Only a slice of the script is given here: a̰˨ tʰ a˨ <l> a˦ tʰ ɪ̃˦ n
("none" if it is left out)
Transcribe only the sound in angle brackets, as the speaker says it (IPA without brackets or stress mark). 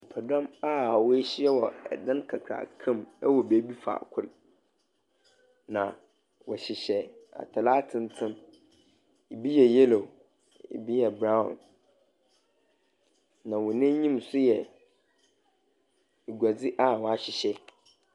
l